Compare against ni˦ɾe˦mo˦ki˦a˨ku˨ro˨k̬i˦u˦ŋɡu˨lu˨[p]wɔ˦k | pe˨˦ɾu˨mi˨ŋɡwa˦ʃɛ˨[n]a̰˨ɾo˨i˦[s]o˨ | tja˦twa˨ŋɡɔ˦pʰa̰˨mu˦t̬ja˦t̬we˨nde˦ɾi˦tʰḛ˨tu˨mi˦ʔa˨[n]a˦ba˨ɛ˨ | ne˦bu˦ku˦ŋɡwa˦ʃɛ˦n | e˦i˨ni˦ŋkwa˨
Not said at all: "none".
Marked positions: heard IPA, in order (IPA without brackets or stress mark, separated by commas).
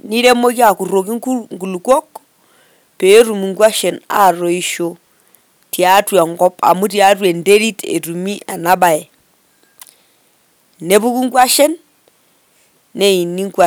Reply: k, n, ʃ, n